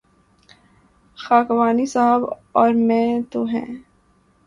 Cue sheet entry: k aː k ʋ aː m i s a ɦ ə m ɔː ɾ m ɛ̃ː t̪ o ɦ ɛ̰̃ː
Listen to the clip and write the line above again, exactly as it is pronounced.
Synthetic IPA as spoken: x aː k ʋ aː n i s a ɦ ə b ɔː ɾ m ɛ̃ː t̪ o ɦ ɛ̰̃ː